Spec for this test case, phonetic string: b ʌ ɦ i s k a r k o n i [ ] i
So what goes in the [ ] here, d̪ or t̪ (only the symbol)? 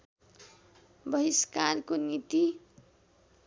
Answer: t̪